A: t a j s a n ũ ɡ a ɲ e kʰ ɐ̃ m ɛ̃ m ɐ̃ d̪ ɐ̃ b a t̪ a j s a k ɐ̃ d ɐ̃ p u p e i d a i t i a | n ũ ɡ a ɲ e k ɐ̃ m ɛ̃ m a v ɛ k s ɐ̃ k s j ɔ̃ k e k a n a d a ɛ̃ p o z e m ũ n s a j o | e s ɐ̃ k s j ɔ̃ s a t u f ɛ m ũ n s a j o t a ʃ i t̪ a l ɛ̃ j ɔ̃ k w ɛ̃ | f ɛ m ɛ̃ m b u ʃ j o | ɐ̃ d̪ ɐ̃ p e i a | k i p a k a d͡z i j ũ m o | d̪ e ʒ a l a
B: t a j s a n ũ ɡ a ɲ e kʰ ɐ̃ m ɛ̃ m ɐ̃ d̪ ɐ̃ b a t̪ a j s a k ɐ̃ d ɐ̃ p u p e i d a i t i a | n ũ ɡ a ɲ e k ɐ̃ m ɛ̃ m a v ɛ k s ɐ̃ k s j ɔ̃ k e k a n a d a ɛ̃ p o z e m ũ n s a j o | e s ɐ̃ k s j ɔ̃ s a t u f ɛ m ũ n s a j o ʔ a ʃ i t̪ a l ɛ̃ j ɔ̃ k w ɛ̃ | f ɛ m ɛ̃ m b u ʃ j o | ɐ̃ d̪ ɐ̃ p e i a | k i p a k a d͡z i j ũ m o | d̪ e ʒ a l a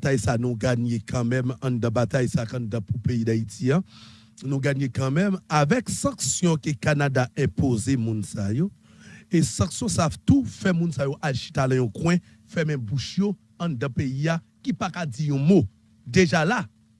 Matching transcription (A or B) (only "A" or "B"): B